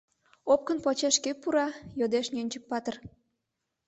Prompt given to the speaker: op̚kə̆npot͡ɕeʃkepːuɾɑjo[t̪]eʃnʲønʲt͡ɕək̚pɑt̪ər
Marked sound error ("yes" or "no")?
yes